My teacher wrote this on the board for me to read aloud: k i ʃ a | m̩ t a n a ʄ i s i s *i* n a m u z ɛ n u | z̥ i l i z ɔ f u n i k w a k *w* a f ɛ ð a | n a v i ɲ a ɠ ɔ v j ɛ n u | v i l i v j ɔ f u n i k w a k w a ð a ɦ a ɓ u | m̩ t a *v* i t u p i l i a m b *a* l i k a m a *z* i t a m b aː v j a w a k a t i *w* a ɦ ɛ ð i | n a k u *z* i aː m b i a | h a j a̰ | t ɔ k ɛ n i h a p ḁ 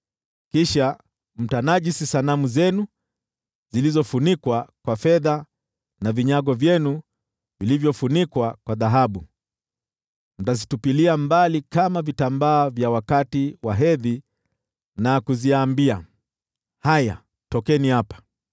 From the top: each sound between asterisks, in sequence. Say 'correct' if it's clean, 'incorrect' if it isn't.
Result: incorrect, correct, incorrect, correct, incorrect, correct, correct

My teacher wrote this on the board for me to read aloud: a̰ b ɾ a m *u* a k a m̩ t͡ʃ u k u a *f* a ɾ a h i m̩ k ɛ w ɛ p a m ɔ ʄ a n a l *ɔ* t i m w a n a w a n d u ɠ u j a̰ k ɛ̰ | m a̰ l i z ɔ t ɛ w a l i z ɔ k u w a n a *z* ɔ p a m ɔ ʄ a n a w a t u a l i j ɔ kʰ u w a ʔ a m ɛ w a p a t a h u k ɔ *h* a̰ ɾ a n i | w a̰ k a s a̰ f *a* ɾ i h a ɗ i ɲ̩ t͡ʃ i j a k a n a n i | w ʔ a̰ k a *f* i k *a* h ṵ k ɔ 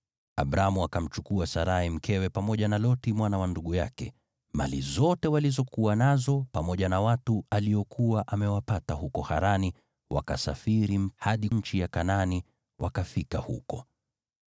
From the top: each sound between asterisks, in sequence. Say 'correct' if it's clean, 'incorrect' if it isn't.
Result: correct, incorrect, correct, correct, correct, incorrect, correct, correct

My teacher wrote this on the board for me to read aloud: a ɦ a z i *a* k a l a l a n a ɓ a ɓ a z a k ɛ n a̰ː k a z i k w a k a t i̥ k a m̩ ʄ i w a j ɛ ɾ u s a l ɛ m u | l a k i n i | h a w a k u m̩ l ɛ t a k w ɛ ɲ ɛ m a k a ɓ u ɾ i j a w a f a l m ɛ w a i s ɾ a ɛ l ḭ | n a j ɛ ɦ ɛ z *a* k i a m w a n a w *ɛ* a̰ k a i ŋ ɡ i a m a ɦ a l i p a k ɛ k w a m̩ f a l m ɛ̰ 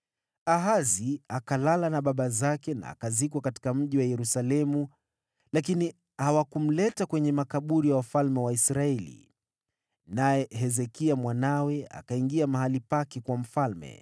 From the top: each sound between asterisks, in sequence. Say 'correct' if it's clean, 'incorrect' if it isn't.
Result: correct, incorrect, correct

